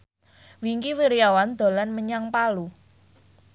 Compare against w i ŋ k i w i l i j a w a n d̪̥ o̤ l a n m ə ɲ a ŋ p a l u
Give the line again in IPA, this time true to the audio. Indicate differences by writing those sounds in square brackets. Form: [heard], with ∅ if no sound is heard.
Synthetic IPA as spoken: w i ŋ k i w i [ɾ] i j a w a n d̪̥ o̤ l a n m ə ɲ a ŋ p a l u